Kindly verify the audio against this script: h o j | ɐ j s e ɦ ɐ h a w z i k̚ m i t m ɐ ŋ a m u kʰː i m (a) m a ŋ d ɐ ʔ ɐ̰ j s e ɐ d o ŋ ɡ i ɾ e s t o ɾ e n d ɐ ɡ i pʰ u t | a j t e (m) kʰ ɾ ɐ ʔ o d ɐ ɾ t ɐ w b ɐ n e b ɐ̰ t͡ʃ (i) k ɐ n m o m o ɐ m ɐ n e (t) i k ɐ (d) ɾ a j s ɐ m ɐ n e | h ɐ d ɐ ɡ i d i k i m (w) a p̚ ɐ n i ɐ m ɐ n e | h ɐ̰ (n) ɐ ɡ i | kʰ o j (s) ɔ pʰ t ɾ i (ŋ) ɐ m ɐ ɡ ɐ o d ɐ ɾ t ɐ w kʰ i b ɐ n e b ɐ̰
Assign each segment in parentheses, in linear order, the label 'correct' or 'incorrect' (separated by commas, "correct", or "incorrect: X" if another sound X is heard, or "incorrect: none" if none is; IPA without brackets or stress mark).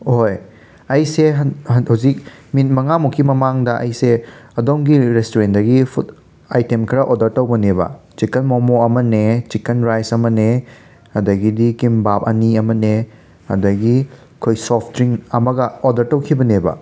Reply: incorrect: ɐ, correct, correct, incorrect: t͡ʃ, incorrect: n, incorrect: b, incorrect: d, correct, correct